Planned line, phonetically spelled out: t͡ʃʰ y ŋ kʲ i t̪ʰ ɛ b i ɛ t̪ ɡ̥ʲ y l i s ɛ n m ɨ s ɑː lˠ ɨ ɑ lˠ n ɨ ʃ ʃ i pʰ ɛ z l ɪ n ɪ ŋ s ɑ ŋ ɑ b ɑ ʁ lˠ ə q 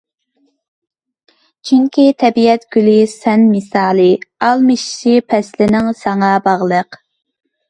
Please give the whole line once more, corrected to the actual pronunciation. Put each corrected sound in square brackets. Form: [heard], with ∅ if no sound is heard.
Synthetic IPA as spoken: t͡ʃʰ y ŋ kʲ i t̪ʰ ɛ b i ɛ t̪ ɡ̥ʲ y l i s ɛ n m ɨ s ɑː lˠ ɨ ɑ lˠ [m] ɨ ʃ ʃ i pʰ ɛ [s] l ɪ n ɪ ŋ s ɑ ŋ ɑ b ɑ ʁ lˠ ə q